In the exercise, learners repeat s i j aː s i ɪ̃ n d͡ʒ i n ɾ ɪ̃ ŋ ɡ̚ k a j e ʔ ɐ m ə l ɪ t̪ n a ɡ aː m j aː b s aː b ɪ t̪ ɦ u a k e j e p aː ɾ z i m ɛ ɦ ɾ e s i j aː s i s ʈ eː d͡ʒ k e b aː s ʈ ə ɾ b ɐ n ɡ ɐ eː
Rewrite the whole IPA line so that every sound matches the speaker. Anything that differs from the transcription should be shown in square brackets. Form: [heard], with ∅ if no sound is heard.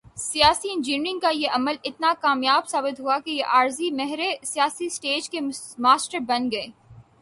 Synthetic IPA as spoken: s i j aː s i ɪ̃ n d͡ʒ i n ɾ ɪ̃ ŋ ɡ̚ k a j e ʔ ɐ m ə l ɪ t̪ n a [k] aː m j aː b s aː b ɪ t̪ ɦ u a k e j e [ʔ] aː ɾ z i m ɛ ɦ ɾ e s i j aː s i s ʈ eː d͡ʒ k e [m] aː s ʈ ə ɾ b ɐ n ɡ ɐ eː